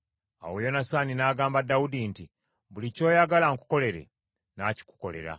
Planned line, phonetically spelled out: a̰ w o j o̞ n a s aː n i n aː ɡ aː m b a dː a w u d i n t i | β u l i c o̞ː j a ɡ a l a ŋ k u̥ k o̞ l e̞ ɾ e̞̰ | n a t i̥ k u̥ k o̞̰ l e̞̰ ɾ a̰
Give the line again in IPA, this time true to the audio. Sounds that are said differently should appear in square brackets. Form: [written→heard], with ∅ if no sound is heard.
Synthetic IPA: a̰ w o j o̞ n a s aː n i n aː ɡ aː m b a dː a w u d i n t i | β u l i c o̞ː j a ɡ a l a ŋ k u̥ k o̞ l e̞ ɾ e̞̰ | n a [t→c] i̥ k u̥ k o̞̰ l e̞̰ ɾ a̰